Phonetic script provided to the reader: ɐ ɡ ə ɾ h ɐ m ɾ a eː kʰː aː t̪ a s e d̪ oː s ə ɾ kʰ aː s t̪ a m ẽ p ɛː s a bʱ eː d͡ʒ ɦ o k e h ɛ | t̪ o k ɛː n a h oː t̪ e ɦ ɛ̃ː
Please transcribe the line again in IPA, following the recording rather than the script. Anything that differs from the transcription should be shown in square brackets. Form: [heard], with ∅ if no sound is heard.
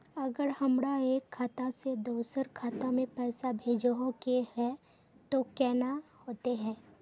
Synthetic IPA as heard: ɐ ɡ ə ɾ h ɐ m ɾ a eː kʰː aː t̪ a s e d̪ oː s ə ɾ kʰ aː [∅] t̪ a m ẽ p ɛː s a bʱ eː d͡ʒ ɦ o k e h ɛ | t̪ o k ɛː n a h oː t̪ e ɦ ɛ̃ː

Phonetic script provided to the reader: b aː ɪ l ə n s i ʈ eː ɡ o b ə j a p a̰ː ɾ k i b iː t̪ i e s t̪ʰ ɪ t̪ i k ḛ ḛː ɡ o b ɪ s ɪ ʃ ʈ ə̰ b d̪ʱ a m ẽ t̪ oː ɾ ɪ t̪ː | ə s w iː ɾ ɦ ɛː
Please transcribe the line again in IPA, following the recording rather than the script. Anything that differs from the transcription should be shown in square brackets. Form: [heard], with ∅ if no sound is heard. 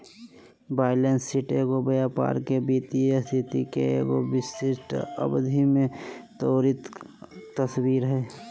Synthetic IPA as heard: b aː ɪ l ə n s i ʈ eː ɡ o b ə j a p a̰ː ɾ k [e] b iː t̪ i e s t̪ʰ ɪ t̪ i k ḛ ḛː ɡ o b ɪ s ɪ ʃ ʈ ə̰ b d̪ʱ [i] m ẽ t̪ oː ɾ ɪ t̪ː | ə s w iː ɾ ɦ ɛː

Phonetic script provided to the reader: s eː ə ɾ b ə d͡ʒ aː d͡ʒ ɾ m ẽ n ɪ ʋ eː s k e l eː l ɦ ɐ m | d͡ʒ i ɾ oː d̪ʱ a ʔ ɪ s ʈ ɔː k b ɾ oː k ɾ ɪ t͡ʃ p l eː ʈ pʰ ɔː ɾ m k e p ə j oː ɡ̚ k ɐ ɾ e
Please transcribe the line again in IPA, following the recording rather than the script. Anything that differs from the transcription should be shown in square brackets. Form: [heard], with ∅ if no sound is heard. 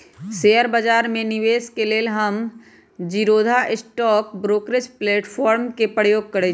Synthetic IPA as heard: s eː ə ɾ b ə d͡ʒ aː [∅] ɾ m ẽ n ɪ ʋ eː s k e l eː l ɦ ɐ m | d͡ʒ i ɾ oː d̪ʱ a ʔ ɪ s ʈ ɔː k b ɾ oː k ɾ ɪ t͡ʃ p l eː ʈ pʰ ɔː ɾ m k e p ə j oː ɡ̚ k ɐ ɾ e

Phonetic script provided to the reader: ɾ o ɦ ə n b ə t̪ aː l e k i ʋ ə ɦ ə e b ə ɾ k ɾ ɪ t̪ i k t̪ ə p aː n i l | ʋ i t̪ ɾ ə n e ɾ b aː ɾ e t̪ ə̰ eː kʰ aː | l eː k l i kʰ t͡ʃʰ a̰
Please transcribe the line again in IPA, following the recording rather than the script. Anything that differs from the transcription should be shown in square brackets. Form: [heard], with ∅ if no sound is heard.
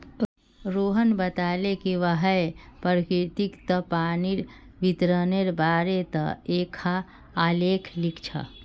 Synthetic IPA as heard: ɾ o ɦ ə n b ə t̪ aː l e k i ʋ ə ɦ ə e [p] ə ɾ k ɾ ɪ t̪ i k t̪ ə p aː n i [ɾ] | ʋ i t̪ ɾ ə n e ɾ b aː ɾ e t̪ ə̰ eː kʰ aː | l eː [kʰ] l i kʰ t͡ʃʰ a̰

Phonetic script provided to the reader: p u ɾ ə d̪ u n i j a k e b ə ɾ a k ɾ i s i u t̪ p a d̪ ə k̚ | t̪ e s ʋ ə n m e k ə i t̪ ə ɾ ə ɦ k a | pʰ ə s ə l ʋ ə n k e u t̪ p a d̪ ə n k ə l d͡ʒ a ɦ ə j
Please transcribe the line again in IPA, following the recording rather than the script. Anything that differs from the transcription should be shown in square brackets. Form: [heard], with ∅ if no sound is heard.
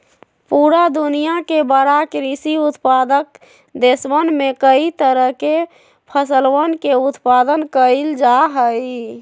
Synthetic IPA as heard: p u ɾ [a] d̪ u n i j a k e b ə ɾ a k ɾ i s i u t̪ p a d̪ ə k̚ | [d̪] e s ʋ ə n m e k ə i t̪ ə ɾ ə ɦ k [e] | pʰ ə s ə l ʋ ə n k e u t̪ p a d̪ ə n k ə l d͡ʒ a ɦ ə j

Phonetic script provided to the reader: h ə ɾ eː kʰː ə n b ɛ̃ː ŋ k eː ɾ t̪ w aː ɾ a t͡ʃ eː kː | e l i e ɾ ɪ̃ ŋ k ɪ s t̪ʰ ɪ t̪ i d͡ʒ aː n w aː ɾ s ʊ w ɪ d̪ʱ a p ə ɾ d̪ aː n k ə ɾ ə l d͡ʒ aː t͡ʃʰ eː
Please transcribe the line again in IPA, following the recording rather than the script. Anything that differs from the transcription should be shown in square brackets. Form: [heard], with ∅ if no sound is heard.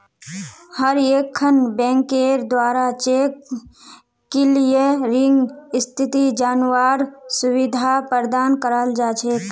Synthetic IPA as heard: h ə ɾ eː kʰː ə n b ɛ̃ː ŋ k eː ɾ [d̪] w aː ɾ a t͡ʃ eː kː | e l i e ɾ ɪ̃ ŋ [ɡ] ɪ s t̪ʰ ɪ t̪ i d͡ʒ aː n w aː ɾ s ʊ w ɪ d̪ʱ a p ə ɾ d̪ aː n k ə ɾ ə l d͡ʒ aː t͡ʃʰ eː

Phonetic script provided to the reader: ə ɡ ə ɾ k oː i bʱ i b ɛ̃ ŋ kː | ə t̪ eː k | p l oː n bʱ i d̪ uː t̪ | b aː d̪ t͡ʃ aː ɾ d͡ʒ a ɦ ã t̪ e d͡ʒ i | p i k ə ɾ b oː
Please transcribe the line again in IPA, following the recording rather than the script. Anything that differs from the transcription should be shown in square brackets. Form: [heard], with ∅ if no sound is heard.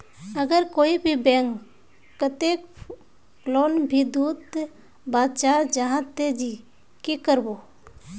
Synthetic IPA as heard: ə ɡ ə ɾ k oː i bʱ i b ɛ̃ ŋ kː | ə t̪ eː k | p l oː n bʱ i d̪ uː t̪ | b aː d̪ t͡ʃ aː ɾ d͡ʒ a ɦ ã t̪ e d͡ʒ i | [k] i k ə ɾ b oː

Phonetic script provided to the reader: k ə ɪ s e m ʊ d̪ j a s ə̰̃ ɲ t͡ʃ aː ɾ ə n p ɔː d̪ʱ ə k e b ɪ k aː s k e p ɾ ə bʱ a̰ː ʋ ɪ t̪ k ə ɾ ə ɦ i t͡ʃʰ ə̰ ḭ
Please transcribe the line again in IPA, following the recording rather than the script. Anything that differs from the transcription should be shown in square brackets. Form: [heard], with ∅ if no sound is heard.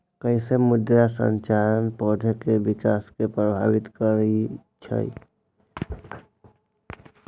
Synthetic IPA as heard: k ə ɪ s e m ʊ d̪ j a s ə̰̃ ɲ t͡ʃ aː ɾ ə n p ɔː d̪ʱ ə k e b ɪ k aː s k e p ɾ ə bʱ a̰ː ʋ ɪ t̪ k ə ɾ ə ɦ i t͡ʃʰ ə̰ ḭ

